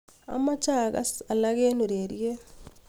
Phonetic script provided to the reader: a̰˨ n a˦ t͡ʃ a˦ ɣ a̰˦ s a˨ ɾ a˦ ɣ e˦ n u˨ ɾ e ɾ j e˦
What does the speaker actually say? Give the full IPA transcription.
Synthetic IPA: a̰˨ m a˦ t͡ʃ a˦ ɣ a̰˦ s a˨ l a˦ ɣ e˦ n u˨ ɾ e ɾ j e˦